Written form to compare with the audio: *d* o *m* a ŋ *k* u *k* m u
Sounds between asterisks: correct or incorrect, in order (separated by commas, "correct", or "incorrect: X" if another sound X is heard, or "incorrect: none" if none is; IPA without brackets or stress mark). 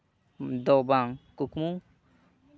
correct, incorrect: b, correct, correct